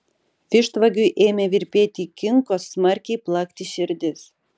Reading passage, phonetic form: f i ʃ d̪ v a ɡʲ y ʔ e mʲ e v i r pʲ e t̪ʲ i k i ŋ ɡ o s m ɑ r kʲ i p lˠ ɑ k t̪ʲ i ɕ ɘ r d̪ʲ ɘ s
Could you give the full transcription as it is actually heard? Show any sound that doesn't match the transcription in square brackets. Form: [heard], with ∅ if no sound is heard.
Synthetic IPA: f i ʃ [t̪] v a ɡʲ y ʔ e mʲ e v i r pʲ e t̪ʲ i k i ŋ [k] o s m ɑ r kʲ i p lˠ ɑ k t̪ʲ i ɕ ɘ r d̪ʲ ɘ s